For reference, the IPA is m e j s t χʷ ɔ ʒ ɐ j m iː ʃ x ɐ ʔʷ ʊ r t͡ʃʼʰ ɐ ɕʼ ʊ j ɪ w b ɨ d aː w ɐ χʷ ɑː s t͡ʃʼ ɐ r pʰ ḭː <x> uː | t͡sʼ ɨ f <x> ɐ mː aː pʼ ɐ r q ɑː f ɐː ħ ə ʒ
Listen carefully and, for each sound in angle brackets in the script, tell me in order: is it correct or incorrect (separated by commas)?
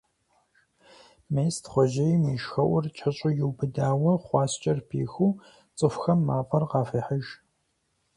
correct, correct